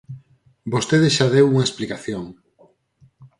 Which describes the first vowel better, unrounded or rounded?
rounded